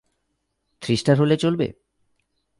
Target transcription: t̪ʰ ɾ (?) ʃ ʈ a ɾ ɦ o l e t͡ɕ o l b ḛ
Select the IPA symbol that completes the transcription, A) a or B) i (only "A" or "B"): B